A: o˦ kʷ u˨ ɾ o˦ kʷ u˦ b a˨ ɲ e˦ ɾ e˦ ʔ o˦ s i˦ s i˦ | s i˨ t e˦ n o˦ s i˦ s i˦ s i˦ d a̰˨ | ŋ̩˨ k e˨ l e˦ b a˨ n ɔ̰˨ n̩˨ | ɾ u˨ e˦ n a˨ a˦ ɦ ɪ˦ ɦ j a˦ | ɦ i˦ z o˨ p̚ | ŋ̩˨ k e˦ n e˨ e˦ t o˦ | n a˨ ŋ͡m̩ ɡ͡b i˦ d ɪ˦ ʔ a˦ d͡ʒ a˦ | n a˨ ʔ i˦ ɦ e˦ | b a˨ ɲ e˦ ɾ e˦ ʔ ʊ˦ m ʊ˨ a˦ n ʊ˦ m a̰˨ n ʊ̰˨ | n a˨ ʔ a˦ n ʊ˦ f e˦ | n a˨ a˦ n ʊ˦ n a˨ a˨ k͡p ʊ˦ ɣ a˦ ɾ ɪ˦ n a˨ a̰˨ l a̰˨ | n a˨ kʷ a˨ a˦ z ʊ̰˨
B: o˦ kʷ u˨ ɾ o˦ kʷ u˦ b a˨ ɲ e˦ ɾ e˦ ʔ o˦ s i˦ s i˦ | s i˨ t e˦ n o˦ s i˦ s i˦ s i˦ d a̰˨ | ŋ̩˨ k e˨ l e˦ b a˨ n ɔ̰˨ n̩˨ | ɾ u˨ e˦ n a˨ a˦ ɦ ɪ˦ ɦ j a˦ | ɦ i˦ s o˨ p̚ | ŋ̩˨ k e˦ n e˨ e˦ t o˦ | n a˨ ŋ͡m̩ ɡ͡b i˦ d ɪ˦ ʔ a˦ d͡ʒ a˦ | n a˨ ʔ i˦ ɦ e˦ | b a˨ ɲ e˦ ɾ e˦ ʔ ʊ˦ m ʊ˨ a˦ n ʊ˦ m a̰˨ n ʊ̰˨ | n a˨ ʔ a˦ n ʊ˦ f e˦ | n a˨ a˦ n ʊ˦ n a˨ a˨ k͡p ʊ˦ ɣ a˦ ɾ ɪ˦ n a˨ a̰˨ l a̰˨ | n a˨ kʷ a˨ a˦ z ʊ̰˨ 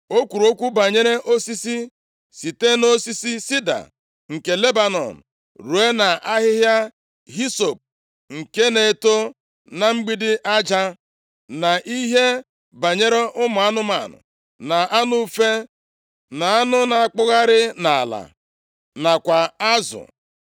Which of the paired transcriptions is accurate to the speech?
B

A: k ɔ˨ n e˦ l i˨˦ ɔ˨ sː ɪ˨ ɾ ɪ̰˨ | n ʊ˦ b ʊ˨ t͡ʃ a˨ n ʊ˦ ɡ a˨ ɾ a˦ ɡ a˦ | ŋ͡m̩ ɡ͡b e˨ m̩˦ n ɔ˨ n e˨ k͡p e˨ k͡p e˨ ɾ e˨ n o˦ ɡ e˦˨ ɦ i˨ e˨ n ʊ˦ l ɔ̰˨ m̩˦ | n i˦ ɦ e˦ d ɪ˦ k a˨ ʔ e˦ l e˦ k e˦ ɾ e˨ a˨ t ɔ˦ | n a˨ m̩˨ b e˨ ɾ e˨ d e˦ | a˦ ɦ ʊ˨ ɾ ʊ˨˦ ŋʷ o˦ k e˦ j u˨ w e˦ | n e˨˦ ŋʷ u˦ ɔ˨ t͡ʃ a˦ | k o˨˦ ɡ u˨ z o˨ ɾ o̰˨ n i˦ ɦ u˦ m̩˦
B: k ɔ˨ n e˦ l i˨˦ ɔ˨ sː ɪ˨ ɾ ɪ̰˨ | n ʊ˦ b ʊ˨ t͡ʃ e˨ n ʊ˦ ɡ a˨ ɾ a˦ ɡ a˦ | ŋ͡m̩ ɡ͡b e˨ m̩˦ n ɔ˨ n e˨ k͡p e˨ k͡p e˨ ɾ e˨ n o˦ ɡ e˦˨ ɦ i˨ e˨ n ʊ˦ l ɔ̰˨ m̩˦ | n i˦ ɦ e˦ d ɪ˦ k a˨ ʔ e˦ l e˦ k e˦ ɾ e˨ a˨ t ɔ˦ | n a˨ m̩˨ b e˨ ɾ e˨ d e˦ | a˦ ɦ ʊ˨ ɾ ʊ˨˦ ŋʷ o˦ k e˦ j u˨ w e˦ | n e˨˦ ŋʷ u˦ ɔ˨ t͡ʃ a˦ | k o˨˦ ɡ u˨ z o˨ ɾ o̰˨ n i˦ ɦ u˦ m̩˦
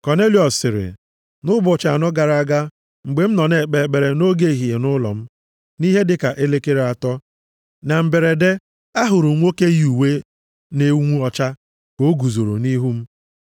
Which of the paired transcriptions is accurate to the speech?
A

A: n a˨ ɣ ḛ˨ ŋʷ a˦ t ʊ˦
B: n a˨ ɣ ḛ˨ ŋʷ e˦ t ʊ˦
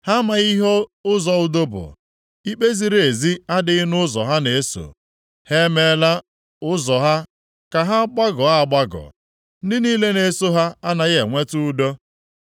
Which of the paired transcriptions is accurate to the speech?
B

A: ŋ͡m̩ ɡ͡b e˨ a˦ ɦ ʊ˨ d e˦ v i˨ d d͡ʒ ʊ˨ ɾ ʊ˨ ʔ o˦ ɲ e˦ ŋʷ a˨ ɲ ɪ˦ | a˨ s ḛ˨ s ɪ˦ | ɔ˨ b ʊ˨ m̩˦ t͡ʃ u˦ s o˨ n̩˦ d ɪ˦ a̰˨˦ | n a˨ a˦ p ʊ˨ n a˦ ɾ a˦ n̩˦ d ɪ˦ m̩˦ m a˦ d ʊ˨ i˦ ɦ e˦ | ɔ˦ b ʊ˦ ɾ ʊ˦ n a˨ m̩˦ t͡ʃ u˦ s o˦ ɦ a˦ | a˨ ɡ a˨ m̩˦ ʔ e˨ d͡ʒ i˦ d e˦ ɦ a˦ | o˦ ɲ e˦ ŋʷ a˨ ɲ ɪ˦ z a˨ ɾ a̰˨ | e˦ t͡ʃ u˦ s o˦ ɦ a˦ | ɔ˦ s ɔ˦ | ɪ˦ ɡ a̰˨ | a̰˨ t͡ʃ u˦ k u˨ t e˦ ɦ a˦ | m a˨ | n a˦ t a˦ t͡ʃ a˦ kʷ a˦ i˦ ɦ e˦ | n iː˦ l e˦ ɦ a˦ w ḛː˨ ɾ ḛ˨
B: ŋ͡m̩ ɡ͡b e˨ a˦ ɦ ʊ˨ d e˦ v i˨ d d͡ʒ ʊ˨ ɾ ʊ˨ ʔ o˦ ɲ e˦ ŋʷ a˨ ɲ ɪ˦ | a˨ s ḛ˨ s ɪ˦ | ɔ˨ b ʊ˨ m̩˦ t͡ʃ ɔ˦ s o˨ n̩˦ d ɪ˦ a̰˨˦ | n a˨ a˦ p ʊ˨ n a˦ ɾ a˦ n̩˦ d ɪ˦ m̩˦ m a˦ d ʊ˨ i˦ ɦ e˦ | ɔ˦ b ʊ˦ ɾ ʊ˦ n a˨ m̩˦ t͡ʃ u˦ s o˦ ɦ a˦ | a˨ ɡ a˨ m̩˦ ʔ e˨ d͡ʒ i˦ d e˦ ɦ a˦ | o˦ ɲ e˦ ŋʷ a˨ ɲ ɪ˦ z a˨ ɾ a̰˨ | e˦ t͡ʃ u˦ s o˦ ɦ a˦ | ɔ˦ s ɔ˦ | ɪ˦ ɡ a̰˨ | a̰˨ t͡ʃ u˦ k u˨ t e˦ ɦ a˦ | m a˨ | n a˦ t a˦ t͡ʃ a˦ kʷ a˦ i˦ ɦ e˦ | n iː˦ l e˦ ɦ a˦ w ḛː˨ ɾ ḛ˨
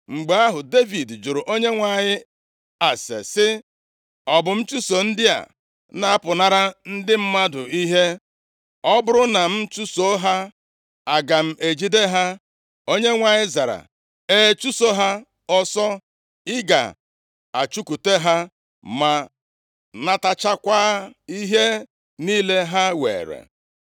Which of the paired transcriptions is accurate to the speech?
A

